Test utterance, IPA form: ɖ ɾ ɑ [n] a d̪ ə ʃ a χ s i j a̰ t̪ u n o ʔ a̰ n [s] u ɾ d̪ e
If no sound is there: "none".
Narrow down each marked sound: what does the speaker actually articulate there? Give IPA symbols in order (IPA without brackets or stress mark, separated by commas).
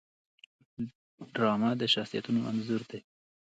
m, z